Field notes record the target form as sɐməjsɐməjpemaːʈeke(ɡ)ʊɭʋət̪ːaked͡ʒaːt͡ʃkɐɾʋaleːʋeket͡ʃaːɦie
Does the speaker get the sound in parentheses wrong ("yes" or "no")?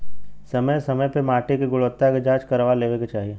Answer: no